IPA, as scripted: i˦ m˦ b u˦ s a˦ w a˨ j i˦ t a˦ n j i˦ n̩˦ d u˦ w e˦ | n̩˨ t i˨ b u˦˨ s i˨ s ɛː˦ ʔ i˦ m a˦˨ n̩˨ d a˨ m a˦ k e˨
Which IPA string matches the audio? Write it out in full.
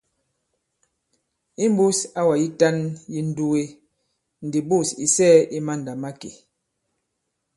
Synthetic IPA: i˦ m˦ b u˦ s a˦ w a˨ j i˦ t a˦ n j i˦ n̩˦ d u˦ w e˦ | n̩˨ d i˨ b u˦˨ s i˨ s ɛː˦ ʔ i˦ m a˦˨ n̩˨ d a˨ m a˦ k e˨